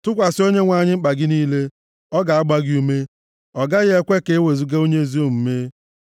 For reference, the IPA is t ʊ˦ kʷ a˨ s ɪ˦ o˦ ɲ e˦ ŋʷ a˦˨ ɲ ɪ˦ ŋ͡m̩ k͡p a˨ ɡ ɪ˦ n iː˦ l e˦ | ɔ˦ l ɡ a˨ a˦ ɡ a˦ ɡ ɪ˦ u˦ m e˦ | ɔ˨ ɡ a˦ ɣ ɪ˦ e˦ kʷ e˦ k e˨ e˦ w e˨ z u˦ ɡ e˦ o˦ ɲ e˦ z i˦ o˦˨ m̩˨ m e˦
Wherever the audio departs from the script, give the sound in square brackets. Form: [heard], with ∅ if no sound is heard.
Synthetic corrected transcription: t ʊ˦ kʷ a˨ s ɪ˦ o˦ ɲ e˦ ŋʷ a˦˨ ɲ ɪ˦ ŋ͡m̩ k͡p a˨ ɡ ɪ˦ n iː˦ l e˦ | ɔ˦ [∅] ɡ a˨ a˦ [ɡ͡b] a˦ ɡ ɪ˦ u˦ m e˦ | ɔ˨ ɡ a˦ ɣ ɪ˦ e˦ kʷ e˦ k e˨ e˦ w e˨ z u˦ ɡ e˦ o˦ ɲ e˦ z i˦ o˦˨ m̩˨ m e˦